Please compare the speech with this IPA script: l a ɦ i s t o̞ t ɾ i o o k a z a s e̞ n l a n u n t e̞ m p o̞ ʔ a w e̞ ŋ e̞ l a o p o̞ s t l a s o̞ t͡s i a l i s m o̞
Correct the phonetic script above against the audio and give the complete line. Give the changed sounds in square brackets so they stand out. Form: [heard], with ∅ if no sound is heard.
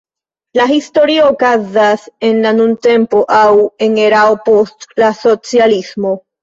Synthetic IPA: l a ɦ i s t o̞ [∅] ɾ i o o k a z a s e̞ n l a n u n t e̞ m p o̞ ʔ a w e̞ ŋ e̞ [ɾ] a o p o̞ s t l a s o̞ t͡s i a l i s m o̞